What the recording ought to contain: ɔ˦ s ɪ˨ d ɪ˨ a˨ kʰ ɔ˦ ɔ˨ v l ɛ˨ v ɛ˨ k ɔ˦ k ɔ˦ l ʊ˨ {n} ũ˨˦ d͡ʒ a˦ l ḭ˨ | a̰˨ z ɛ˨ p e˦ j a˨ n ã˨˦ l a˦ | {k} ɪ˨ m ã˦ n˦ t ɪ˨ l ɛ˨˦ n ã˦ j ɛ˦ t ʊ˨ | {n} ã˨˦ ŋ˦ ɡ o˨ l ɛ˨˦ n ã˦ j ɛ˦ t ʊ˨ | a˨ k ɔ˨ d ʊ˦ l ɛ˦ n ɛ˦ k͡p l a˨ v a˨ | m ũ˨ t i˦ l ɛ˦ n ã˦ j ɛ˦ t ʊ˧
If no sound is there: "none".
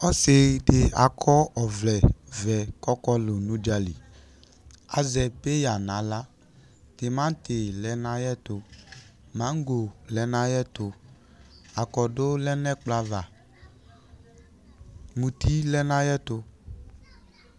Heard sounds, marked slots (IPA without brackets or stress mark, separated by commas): n, t, m